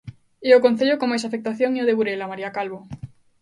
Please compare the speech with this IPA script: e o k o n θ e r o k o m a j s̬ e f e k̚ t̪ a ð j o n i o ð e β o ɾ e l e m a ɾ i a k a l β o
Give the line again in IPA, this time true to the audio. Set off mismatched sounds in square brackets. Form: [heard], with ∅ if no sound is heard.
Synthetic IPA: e o k o n θ e [ʎ] o k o m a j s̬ [a] f e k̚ t̪ a [θ] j o [ŋ] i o ð e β [u] ɾ e l [a] m a ɾ i a k a l β o